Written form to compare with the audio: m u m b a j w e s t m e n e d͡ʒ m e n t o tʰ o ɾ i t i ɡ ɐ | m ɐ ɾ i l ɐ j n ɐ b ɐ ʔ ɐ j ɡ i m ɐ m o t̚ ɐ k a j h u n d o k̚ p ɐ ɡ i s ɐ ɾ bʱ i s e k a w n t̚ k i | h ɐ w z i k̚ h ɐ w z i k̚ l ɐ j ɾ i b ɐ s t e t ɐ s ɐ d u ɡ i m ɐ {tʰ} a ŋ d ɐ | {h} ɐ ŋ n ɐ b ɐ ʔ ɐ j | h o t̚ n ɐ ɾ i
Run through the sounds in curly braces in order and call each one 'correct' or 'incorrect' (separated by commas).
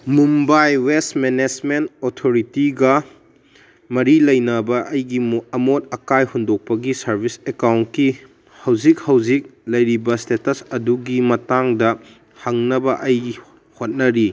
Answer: incorrect, correct